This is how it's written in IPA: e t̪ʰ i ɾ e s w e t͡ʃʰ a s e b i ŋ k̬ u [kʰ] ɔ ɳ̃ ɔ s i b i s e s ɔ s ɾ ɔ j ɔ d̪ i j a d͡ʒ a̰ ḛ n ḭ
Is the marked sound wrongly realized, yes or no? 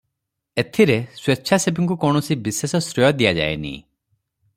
yes